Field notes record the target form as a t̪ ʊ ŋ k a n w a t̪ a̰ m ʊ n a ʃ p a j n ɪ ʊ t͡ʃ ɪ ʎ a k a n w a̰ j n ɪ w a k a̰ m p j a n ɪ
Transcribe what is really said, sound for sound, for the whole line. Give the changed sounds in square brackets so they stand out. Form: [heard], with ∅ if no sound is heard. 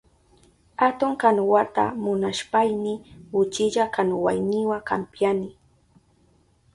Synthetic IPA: a t̪ ʊ ŋ k a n w a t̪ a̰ m ʊ n a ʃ p a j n ɪ ʊ t͡ʃ ɪ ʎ a k a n w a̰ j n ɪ w a k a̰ m p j a n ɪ